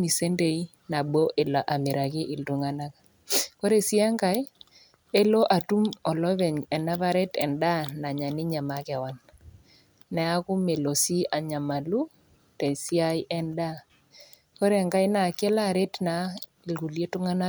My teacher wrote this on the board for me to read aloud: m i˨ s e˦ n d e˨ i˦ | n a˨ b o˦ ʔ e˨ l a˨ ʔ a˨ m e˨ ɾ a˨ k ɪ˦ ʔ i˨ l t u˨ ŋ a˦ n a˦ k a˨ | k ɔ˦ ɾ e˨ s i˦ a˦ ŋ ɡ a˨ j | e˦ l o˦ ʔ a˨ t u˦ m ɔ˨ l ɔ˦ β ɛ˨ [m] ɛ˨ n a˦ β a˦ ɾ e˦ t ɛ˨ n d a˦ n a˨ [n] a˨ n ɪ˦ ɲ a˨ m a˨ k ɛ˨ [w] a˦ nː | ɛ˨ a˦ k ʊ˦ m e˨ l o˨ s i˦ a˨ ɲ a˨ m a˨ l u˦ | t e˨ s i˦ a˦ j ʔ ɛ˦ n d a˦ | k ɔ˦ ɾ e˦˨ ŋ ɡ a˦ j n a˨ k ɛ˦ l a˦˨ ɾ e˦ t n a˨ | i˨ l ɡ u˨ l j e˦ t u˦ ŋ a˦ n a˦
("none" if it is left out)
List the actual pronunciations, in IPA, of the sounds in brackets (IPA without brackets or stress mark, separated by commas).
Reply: ɲ, ɲ, w